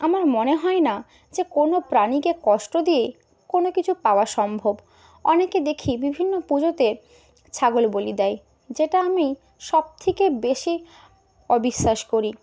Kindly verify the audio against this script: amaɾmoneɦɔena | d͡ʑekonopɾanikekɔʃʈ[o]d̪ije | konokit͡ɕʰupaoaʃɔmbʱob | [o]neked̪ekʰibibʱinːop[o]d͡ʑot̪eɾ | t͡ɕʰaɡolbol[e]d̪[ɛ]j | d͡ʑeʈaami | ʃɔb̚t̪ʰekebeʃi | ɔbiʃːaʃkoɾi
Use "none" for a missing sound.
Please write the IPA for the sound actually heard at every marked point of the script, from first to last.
o, ɔ, u, i, ɛ

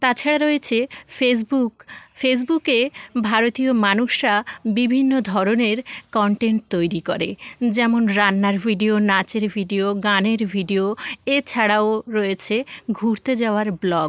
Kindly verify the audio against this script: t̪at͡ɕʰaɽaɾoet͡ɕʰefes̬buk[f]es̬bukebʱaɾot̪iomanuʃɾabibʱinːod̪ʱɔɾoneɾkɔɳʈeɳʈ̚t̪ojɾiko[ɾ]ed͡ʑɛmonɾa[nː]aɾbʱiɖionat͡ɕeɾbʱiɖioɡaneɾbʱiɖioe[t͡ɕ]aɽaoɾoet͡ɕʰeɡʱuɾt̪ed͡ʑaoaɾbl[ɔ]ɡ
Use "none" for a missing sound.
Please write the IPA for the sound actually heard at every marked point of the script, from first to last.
f, ɾ, nː, t͡ɕʰ, ɔ

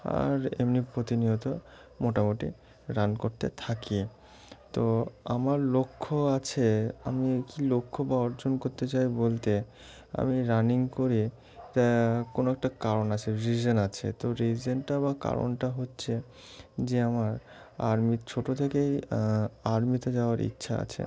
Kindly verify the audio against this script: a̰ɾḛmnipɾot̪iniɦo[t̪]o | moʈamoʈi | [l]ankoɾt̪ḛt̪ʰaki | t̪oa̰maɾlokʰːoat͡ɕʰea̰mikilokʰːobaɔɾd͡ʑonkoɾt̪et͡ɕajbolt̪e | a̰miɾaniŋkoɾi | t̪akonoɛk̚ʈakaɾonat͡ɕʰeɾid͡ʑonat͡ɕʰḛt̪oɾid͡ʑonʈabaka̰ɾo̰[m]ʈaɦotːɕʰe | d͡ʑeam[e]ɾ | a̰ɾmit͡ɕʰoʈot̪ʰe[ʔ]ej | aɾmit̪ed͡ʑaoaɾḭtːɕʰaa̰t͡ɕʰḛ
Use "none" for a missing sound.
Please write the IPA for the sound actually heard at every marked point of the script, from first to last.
t̪, ɾ, n, a, k

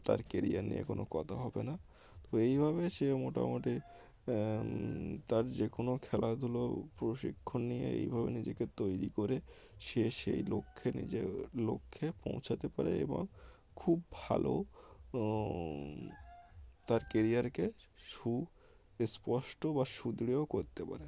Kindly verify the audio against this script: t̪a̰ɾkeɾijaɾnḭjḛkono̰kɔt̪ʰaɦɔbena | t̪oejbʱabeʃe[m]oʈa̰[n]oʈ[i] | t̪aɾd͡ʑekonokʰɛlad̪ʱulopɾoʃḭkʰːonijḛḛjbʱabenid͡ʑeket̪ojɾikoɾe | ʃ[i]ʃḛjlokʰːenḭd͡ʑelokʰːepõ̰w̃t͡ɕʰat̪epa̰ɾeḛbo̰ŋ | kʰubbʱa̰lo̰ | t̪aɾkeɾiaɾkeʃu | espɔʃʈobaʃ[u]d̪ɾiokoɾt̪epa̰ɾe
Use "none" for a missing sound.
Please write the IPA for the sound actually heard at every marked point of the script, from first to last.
m, m, i, e, u

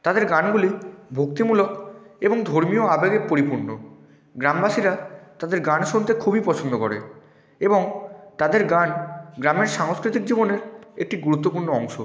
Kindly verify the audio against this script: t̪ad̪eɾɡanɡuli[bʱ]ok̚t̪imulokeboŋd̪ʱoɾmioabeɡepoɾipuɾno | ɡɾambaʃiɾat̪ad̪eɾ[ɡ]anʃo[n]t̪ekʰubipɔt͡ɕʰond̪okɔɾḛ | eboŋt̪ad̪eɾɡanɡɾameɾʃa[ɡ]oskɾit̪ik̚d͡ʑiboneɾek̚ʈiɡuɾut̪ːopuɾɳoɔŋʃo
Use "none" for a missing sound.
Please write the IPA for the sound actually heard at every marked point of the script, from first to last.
bʱ, ɡ, n, ŋ

